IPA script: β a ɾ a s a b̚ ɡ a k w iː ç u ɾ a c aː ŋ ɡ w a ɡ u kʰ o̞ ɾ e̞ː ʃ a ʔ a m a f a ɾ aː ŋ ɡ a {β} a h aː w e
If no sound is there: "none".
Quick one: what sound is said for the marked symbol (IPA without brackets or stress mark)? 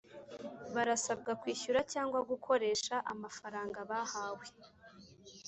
β